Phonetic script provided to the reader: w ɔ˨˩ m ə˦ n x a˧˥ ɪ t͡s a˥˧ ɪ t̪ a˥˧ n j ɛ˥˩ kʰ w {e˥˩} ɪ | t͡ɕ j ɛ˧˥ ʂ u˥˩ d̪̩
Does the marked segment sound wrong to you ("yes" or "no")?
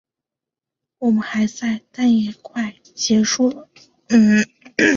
yes